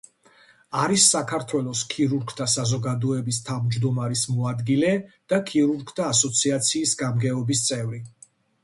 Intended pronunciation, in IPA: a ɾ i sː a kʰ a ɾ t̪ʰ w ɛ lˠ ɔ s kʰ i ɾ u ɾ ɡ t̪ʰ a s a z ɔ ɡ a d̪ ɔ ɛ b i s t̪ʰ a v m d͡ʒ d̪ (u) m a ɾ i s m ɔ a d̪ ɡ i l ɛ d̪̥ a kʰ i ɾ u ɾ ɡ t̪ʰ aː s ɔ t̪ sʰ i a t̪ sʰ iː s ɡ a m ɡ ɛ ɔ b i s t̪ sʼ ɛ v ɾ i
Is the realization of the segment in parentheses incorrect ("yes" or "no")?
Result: yes